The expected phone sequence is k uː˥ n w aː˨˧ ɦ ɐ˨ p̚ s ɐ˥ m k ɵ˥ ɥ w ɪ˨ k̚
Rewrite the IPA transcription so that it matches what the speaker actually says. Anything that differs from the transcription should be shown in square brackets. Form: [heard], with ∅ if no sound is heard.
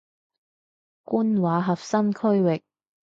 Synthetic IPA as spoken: k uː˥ n w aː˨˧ ɦ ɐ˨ p̚ s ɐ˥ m [kʰ] ɵ˥ ɥ w ɪ˨ k̚